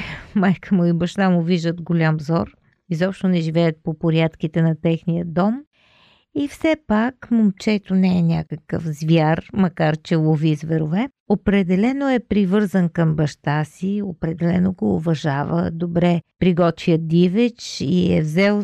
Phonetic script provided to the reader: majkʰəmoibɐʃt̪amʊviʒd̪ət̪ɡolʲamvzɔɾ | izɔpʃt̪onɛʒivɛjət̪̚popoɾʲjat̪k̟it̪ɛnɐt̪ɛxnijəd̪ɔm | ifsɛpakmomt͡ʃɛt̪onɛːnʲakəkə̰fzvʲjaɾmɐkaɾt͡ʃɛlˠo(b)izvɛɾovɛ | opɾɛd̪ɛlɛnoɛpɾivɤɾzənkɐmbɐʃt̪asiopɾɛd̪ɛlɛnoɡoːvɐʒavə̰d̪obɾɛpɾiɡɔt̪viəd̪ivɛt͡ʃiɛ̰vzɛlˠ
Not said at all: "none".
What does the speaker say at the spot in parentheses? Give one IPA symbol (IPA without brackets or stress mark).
v